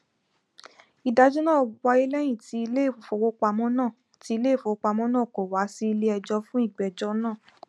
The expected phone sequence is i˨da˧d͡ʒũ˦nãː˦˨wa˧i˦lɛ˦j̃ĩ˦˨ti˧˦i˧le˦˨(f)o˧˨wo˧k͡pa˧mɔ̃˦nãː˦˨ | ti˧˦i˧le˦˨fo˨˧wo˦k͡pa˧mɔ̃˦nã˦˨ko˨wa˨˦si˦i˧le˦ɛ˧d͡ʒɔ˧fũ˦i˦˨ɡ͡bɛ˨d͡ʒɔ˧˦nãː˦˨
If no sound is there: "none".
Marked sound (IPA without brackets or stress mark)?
f